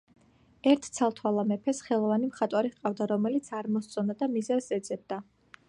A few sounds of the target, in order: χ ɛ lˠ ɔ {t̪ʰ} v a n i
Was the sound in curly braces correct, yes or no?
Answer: no